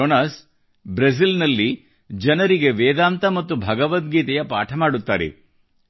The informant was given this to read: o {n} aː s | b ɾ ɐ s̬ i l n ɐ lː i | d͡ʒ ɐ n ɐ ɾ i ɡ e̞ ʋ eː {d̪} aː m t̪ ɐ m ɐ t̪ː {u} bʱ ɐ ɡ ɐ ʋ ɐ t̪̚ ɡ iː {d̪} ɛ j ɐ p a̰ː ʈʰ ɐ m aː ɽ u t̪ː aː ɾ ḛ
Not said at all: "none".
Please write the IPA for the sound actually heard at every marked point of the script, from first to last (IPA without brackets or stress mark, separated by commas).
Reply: n, d̪, u, t̪